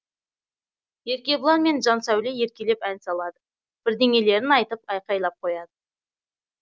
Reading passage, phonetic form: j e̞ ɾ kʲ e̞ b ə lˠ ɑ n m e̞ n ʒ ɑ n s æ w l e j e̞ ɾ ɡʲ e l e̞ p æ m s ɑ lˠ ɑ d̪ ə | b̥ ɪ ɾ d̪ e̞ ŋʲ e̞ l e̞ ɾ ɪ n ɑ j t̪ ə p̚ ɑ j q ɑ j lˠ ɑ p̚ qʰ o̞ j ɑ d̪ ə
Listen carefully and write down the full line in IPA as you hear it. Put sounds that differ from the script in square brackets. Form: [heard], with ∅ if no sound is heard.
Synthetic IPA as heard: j e̞ ɾ kʲ e̞ b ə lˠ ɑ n m e̞ n ʒ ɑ n s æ w l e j e̞ ɾ [kʲ] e l e̞ p æ [n] s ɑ lˠ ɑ d̪ ə | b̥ ɪ ɾ d̪ e̞ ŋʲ e̞ l e̞ ɾ ɪ n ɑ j t̪ ə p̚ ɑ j q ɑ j lˠ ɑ p̚ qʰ o̞ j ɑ d̪ ə